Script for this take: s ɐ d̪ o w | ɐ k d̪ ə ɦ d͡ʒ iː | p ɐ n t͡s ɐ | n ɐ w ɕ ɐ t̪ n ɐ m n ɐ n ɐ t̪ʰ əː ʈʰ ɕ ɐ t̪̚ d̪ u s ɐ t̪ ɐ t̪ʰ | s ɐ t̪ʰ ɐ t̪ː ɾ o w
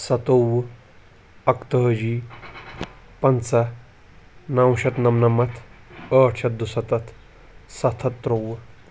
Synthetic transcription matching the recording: s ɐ t̪ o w | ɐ k t̪ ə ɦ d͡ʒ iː | p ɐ n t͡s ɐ | n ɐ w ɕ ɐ t̪ n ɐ m n ɐ m ɐ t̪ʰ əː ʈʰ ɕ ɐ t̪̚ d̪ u s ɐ t̪ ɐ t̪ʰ | s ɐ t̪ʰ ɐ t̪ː ɾ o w